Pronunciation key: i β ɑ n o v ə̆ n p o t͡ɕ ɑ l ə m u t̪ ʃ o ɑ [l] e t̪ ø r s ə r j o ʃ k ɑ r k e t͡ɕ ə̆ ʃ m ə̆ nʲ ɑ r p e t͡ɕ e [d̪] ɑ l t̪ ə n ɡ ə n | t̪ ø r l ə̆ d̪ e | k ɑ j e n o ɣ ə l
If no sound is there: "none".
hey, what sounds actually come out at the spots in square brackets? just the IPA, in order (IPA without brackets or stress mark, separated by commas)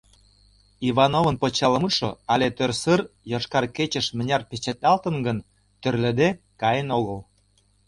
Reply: l, t̪